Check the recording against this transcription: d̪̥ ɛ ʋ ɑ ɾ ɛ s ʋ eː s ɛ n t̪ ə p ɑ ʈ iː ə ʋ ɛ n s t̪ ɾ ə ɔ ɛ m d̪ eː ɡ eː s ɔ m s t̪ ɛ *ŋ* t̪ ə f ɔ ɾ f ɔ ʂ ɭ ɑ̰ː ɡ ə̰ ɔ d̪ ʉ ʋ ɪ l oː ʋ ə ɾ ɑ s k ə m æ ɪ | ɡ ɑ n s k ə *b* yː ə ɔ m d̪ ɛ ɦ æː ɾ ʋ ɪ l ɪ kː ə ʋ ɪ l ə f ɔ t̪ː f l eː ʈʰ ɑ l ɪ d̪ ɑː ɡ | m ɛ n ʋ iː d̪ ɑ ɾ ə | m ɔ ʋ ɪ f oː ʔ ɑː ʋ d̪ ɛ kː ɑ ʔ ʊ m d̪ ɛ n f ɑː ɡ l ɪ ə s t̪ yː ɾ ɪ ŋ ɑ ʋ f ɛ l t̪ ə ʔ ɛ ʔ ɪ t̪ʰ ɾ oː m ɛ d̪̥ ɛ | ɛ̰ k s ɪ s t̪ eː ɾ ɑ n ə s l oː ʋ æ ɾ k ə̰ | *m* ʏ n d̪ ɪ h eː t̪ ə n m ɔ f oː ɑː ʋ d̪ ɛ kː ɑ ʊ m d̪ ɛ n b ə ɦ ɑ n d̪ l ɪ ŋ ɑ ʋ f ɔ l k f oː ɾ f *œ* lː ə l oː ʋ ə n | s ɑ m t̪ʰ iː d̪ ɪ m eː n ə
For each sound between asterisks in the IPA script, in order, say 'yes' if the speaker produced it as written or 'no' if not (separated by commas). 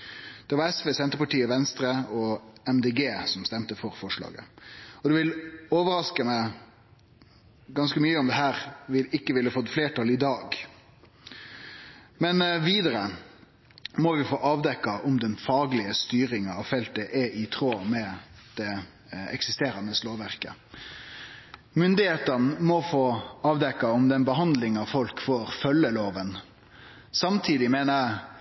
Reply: no, no, yes, yes